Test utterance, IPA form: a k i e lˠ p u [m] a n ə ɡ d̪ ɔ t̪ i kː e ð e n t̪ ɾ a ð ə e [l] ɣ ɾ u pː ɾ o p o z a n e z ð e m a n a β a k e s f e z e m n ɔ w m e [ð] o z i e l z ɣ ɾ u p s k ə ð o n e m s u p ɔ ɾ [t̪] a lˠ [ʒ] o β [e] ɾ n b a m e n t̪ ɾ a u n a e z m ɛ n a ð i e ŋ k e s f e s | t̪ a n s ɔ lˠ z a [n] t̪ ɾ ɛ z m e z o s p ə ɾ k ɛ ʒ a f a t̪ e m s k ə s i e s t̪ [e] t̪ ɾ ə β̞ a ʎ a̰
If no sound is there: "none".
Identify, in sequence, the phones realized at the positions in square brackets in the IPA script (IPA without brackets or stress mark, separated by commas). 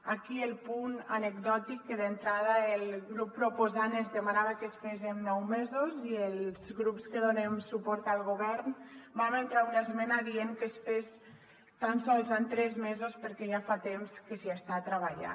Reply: n, l, z, t̪, ɣ, ɛ, n, a